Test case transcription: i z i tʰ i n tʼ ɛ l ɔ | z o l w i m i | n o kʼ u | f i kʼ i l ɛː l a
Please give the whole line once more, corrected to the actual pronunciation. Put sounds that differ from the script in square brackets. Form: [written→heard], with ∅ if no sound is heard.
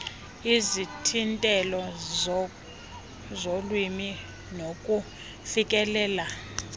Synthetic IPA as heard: i z i tʰ i n tʼ ɛ l ɔ | z o l w i m i | n o kʼ u | f i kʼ [i→ɛ] l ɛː l a